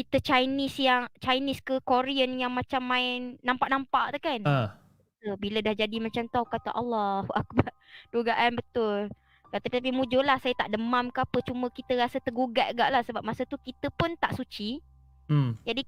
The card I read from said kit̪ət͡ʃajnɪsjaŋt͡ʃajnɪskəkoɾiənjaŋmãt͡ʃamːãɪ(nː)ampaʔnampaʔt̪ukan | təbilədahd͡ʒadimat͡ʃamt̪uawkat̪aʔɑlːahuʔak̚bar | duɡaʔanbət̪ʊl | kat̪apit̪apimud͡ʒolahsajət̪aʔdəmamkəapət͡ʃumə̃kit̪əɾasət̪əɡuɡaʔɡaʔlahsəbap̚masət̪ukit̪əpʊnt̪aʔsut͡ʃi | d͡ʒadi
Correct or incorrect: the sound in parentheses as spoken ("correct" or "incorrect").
correct